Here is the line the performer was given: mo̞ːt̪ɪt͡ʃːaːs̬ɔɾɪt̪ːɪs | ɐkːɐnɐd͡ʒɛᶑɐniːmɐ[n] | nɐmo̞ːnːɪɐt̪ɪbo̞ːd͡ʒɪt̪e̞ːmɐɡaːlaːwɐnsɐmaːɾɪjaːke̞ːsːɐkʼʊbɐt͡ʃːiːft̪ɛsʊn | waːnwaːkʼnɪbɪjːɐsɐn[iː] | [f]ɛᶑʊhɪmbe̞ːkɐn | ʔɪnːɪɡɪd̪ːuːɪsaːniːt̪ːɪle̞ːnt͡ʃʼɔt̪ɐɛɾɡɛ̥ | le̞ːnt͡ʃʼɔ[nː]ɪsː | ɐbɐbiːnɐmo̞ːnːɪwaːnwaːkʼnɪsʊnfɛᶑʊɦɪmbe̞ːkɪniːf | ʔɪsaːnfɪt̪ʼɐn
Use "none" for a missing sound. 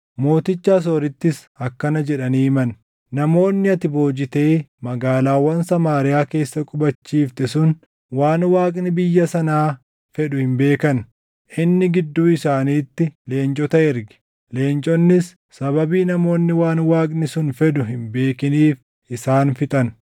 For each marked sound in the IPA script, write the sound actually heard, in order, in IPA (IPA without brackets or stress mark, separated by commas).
n, aː, f, nː